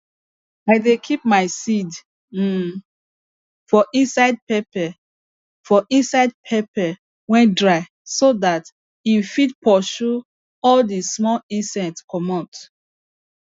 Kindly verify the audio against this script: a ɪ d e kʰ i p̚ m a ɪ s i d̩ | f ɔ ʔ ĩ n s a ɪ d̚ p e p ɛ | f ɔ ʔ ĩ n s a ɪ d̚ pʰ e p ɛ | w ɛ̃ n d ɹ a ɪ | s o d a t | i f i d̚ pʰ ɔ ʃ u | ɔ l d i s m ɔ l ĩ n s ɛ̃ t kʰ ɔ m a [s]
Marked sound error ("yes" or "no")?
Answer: yes